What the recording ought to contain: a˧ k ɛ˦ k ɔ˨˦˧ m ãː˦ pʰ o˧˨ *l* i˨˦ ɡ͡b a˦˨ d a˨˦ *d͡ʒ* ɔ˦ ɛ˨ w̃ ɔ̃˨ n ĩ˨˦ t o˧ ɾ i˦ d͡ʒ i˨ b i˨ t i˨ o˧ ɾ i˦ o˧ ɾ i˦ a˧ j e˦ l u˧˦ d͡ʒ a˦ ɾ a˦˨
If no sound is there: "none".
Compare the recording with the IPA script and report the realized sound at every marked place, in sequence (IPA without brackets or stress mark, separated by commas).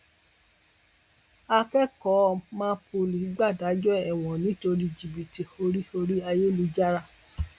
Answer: l, d͡ʒ